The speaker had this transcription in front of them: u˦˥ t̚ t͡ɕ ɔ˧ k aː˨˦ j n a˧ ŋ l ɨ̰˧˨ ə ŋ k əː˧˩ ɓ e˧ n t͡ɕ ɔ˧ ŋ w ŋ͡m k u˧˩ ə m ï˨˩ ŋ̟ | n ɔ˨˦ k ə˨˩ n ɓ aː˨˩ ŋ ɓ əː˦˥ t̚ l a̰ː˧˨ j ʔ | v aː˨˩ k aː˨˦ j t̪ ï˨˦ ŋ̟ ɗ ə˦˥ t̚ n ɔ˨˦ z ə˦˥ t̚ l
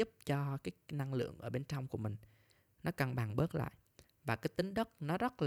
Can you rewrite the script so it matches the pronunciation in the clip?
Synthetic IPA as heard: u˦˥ p̚ t͡ɕ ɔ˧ k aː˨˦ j n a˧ ŋ l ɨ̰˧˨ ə ŋ ʔ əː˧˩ ɓ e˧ n t͡ɕ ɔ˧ w ŋ͡m k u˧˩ ə m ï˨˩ ŋ̟ | n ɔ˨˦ k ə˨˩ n ɓ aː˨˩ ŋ ɓ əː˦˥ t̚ l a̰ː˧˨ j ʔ | v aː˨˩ k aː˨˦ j t̪ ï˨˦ ŋ̟ ɗ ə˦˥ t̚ n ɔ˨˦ z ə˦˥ t̚ l